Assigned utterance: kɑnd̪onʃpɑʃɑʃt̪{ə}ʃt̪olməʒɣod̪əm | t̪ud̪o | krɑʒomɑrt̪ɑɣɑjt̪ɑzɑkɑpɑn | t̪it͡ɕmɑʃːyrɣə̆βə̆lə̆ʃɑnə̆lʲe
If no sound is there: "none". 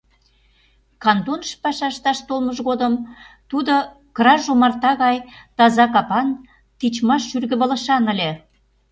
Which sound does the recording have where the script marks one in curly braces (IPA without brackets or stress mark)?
ɑ